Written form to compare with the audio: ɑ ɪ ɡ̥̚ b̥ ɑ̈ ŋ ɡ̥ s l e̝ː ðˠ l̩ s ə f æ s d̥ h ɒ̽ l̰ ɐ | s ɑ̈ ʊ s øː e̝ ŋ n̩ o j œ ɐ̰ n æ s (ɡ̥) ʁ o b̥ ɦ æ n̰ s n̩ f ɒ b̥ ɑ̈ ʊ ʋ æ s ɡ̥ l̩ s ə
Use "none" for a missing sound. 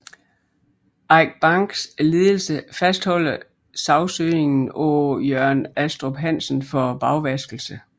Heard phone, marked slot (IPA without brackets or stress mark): d̥